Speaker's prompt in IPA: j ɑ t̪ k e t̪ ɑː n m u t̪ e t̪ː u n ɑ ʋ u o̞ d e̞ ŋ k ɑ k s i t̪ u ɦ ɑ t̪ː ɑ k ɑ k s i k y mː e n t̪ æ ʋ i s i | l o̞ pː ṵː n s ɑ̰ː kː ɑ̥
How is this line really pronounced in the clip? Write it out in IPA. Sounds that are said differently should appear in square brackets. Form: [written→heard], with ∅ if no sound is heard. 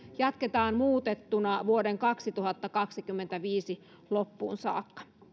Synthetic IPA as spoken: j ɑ t̪ k e t̪ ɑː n m [u→uː] t̪ e t̪ː u n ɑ ʋ u o̞ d e̞ ŋ k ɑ k s i t̪ u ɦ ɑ t̪ː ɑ k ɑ k s i k y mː e n t̪ æ ʋ [i→iː] s i | l o̞ pː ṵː n s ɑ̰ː kː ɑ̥